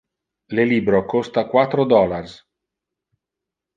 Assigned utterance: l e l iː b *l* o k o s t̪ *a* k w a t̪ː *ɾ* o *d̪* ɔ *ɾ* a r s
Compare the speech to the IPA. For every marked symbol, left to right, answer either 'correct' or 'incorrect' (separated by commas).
incorrect, correct, correct, correct, incorrect